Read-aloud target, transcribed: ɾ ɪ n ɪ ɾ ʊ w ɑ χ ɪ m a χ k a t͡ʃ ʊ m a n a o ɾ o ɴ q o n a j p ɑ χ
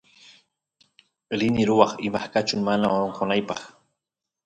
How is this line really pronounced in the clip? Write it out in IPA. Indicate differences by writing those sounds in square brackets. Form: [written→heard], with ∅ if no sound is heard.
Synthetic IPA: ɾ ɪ n ɪ ɾ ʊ w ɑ χ ɪ m a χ k a t͡ʃ ʊ m a n a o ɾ o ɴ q o n a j p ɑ χ